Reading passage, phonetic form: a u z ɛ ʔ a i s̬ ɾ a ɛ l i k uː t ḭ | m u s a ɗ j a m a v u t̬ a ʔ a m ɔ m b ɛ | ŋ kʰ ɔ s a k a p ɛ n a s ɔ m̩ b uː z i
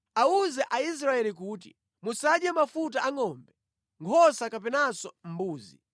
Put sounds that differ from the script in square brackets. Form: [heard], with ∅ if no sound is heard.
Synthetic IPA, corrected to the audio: a u z ɛ ʔ a i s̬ ɾ a ɛ l i k uː t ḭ | m u s a ɗ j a m a [f] u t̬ a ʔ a [ŋ] ɔ m b ɛ | ŋ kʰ ɔ s a k a p ɛ n a s ɔ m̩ b uː z i

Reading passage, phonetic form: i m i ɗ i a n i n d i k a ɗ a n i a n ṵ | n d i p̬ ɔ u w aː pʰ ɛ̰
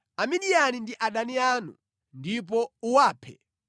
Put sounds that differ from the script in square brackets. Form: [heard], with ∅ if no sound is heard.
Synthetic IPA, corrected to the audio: [a] m i ɗ i a n i n d i [ʔ] a ɗ a n i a n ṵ | n d i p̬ ɔ u w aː pʰ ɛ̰

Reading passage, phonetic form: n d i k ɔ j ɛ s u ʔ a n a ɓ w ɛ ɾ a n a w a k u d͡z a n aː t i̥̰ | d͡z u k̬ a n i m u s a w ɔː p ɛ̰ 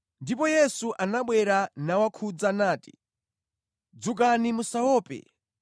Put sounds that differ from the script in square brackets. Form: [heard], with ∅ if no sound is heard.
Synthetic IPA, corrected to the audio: n d i [p] ɔ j ɛ s u ʔ a n a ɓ w ɛ ɾ a n a w a [kʰ] u d͡z a n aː t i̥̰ | d͡z u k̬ a n i m u s a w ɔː p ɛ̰

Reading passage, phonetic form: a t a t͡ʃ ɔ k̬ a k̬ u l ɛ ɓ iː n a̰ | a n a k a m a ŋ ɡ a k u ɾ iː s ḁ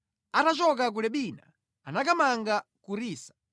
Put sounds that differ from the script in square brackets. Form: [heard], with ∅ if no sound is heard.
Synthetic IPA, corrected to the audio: a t a t͡ʃ ɔ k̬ a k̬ u l ɛ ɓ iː n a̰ | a n a k a m a ŋ ɡ a k u ɾ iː s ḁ

